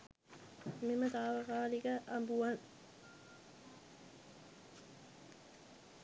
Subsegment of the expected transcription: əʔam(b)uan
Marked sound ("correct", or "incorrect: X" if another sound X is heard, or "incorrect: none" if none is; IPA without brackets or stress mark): correct